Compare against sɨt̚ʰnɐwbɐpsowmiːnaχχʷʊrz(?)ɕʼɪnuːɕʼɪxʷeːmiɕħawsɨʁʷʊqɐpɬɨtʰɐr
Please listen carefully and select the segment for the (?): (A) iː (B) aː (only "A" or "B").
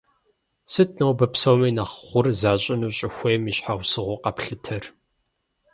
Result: B